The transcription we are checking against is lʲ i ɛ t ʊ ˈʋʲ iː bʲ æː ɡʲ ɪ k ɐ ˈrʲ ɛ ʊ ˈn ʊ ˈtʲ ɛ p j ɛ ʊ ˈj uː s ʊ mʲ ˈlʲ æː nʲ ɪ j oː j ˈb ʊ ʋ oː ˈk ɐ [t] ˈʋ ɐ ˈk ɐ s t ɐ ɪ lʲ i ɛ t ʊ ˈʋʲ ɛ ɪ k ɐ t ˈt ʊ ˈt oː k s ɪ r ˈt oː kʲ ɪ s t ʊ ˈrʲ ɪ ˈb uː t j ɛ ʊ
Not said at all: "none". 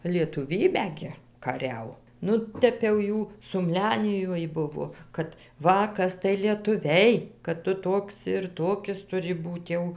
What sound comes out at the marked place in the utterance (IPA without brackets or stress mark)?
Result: t